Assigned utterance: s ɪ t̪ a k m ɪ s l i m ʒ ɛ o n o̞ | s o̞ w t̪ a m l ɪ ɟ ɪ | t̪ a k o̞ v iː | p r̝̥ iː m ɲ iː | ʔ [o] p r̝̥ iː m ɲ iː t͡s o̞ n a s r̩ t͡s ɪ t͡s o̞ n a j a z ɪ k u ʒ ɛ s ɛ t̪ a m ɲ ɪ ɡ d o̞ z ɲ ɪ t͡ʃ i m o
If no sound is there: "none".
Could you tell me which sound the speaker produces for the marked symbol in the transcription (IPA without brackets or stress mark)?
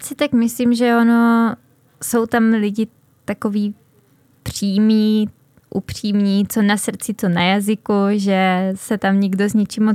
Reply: u